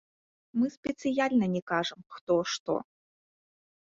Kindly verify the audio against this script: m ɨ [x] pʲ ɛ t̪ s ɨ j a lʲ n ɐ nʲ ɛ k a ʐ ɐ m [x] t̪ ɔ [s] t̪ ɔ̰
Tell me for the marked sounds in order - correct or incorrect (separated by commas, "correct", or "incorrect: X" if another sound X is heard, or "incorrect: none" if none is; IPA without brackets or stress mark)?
incorrect: s, correct, incorrect: ʂ